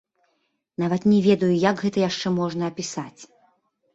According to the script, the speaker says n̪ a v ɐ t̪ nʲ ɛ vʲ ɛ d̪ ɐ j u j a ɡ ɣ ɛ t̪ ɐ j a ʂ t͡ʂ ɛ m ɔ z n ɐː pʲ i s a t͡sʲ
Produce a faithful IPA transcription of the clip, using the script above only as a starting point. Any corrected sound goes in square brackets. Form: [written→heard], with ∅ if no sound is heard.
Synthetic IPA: n̪ a v ɐ t̪ nʲ ɛ vʲ ɛ d̪ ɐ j u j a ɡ ɣ ɛ t̪ ɐ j a ʂ t͡ʂ ɛ m ɔ [z→ʐ] n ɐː pʲ i s a t͡sʲ